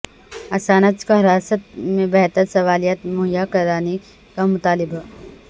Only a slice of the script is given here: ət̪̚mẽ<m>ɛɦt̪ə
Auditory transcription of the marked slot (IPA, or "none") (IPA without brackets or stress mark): b